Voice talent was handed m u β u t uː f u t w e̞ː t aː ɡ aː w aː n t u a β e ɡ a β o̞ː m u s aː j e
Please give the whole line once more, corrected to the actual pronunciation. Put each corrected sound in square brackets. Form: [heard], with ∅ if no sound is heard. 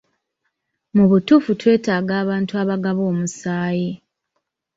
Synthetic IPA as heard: m u β u t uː f u t w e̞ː t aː ɡ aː [β] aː n t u a β [a] ɡ a β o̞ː m u s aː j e